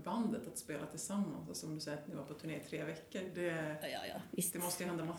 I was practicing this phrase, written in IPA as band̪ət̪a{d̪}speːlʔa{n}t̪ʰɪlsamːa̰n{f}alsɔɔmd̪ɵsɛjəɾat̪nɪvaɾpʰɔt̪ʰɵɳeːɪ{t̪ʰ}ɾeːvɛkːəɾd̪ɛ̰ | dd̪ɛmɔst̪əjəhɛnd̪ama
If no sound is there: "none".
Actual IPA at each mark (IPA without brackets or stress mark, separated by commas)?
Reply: t̪, none, s, t̪ʰ